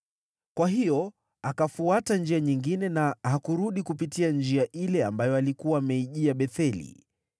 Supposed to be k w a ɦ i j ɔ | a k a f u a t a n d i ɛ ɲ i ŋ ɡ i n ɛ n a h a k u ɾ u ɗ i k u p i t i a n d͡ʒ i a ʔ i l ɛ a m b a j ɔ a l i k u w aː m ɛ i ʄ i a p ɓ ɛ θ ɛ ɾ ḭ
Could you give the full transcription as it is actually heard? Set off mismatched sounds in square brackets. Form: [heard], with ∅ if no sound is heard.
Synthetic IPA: k w a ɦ i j ɔ | a k a f u a t a n [d͡ʒ] i [a] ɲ i ŋ ɡ i n ɛ n a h a k u ɾ u ɗ i k u p i t i a n d͡ʒ i a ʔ i l ɛ a m b a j ɔ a l i k u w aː m ɛ i ʄ i a [∅] ɓ ɛ θ ɛ [l] ḭ